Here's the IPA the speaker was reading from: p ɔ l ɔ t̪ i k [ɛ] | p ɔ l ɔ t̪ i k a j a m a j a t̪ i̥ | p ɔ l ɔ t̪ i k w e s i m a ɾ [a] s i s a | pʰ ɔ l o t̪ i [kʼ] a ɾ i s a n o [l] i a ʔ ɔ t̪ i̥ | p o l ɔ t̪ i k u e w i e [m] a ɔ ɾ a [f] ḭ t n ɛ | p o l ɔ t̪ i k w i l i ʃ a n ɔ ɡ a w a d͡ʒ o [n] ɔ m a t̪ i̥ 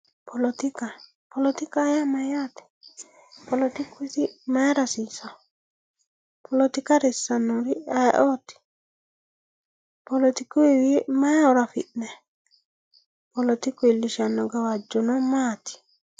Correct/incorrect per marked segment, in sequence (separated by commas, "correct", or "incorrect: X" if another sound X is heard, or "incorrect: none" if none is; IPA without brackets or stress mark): incorrect: a, correct, incorrect: k, incorrect: ɾ, correct, correct, correct